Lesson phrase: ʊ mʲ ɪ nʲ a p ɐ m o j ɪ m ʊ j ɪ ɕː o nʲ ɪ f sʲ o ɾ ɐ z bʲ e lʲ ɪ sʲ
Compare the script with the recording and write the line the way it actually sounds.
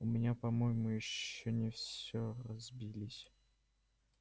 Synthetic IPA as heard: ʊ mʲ ɪ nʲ a p ɐ m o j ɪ m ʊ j ɪ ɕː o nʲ ɪ f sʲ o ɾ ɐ z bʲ i lʲ ɪ sʲ

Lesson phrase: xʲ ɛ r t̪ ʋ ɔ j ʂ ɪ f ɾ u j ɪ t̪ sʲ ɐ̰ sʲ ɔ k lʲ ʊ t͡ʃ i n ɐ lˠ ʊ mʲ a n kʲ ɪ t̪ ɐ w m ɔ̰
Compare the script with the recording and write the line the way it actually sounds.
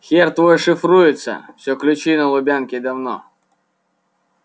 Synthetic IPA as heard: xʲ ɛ r t̪ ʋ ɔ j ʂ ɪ f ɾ u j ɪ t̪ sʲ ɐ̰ sʲ ɔ k lʲ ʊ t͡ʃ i n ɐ lˠ ʊ bʲ a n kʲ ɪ d̪ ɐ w n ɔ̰

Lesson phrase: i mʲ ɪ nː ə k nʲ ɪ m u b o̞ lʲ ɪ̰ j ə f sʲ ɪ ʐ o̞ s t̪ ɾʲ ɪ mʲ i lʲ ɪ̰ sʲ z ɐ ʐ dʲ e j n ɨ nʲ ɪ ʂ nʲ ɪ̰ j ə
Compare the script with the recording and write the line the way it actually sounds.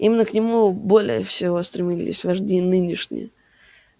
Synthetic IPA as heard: i mʲ ɪ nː ə k nʲ ɪ m u b o̞ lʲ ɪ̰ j ə f sʲ ɪ v o̞ s t̪ ɾʲ ɪ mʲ i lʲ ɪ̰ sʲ v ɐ ʐ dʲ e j n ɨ nʲ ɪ ʂ nʲ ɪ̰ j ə

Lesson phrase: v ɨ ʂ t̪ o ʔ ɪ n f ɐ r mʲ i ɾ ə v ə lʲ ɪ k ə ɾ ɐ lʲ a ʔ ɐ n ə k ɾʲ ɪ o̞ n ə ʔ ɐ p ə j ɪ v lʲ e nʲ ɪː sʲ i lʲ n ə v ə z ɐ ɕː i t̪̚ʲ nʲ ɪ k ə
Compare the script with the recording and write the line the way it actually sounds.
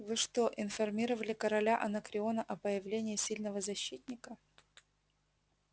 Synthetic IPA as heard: v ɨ ʂ t̪ o ʔ ɪ n f ɐ r mʲ i ɾ ə v ə lʲ ɪ k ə ɾ ɐ lʲ a ʔ ɐ n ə k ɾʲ ɪ o̞ n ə ʔ ɐ p ə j ɪ v lʲ e nʲ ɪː sʲ i lʲ n ə v ə z ɐ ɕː i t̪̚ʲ nʲ ɪ k ə

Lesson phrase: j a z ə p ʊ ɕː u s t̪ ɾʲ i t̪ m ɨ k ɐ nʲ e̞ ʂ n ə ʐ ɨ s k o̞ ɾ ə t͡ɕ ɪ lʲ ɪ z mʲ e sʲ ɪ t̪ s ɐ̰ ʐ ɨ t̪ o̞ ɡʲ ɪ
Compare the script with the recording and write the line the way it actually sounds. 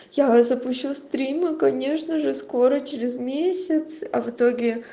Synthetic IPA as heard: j a z ə p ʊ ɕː u s t̪ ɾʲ i m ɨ k ɐ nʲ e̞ ʂ n ə ʐ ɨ s k o̞ ɾ ə t͡ɕ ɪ ɾʲ ɪ z mʲ e sʲ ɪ t̪ s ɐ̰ v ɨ t̪ o̞ ɡʲ ɪ

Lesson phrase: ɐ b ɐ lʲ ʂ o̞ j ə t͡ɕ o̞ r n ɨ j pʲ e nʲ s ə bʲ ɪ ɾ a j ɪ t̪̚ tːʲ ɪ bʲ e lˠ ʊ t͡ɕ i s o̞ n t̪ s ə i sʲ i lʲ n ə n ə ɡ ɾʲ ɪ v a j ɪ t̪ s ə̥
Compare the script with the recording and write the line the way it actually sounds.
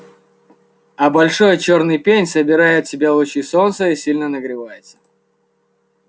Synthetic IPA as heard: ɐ b ɐ lʲ ʂ o̞ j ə t͡ɕ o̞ r n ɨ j pʲ e nʲ s ə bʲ ɪ ɾ a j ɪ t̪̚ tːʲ ɪ bʲ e lˠ ʊ t͡ɕ i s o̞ n t̪ s ə i sʲ i lʲ n ə n ə ɡ ɾʲ ɪ v a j ɪ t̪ s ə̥

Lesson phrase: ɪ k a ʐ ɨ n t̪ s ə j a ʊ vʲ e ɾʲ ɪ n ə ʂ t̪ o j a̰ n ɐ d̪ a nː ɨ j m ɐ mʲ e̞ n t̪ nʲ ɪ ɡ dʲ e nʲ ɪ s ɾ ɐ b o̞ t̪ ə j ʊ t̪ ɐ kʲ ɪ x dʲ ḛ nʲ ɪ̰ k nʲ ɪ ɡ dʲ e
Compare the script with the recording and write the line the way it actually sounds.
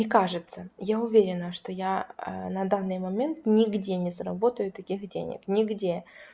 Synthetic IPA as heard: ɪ k a ʐ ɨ t̪ s ə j a ʊ vʲ e ɾʲ ɪ n ə ʂ t̪ o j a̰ n ɐ d̪ a nː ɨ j m ɐ mʲ e̞ n t̪ nʲ ɪ ɡ dʲ e nʲ ɪ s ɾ ɐ b o̞ t̪ ə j ʊ t̪ ɐ kʲ i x dʲ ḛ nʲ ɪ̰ k nʲ ɪ ɡ dʲ e

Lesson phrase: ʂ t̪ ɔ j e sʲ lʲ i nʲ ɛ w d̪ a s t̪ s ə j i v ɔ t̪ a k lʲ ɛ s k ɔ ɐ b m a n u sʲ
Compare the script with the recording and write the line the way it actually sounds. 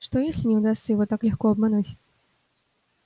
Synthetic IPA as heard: ʂ t̪ ɔ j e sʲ lʲ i nʲ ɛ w d̪ a s t̪ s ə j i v ɔ t̪ a k lʲ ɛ x k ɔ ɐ b m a n u t͡sʲ

